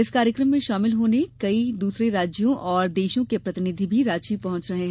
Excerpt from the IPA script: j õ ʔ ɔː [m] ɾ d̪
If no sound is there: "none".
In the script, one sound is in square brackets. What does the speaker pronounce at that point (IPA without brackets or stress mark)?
none